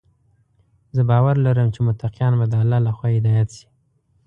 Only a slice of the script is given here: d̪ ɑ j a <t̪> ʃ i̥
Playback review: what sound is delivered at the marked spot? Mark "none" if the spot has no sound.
t̪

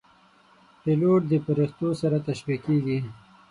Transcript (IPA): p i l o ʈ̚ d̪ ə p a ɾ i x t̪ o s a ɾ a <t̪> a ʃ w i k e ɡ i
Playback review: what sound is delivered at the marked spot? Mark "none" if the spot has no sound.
t̪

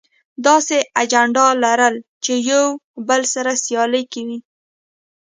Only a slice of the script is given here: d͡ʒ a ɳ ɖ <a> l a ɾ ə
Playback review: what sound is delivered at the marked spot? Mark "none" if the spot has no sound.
ɑ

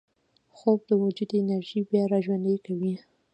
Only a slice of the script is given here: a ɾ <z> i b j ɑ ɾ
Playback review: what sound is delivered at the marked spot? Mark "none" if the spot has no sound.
ʒ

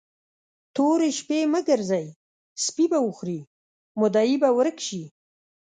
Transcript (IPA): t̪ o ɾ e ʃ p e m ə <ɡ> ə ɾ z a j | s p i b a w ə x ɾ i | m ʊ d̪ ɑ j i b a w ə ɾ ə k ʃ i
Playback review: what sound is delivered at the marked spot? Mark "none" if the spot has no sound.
ɡ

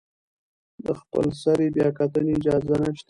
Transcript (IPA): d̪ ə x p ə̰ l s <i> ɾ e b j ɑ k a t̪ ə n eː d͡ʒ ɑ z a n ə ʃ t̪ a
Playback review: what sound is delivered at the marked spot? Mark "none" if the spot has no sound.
a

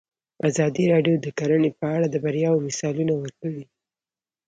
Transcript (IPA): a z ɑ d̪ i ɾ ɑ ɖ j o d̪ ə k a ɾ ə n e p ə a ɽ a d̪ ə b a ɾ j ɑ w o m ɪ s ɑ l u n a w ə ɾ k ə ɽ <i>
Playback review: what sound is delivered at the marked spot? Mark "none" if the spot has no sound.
i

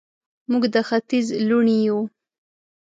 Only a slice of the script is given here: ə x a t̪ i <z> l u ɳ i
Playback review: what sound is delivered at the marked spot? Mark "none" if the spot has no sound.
z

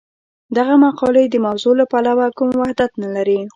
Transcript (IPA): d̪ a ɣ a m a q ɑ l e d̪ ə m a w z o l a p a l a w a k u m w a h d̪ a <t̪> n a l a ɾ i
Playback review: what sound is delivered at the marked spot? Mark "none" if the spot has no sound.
t̪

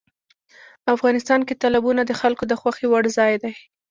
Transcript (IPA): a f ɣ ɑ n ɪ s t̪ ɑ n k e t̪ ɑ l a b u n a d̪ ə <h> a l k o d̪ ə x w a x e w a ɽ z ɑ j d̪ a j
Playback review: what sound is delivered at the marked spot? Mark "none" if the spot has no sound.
x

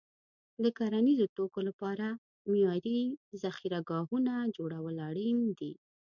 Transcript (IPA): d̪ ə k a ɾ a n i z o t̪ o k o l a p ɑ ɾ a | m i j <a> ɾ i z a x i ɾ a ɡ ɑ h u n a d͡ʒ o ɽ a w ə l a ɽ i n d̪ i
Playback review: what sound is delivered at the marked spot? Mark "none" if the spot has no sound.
ɑ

